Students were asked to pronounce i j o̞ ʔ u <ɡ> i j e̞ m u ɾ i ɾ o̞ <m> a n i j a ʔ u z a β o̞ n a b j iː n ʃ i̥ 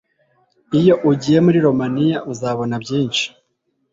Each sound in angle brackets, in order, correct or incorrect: incorrect: ɟ, correct

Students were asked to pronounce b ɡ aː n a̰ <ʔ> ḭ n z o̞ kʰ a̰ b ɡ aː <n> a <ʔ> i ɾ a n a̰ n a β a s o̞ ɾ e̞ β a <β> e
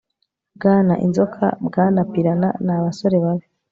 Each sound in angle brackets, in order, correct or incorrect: correct, correct, incorrect: p, correct

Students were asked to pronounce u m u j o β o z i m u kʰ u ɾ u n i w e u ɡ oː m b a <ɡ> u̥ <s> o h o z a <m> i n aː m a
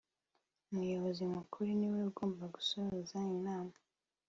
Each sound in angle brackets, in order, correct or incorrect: correct, correct, incorrect: none

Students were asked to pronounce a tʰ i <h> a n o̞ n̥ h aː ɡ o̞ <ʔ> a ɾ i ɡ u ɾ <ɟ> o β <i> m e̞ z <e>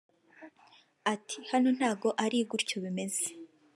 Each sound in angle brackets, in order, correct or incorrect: correct, correct, incorrect: c, correct, correct

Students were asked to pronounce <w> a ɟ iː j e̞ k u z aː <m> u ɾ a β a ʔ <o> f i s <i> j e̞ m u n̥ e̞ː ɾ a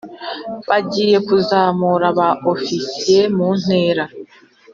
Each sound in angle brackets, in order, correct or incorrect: incorrect: β, correct, correct, correct

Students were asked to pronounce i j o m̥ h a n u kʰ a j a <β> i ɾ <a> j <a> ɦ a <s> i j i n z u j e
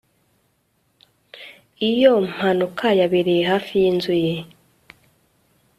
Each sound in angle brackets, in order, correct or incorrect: correct, incorrect: i, incorrect: e, incorrect: f

